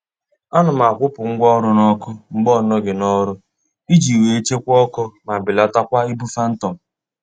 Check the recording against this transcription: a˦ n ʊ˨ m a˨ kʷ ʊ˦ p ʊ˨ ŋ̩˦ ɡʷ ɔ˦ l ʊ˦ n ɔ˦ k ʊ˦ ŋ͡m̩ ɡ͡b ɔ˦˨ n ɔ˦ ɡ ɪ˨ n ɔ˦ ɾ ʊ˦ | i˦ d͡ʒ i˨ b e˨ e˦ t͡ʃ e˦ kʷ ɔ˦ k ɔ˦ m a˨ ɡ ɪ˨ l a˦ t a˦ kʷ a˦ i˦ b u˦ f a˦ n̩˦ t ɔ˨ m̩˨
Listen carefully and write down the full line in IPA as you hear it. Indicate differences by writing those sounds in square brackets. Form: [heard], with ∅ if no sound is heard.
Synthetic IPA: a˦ n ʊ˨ m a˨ kʷ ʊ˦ p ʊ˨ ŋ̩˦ ɡʷ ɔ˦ [ɾ] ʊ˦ n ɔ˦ k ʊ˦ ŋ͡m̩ ɡ͡b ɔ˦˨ n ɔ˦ ɡ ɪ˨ n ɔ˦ ɾ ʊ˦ | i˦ d͡ʒ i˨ [w] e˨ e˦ t͡ʃ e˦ kʷ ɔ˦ k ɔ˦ m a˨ [b] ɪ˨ l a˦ t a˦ kʷ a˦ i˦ b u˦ f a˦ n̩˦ t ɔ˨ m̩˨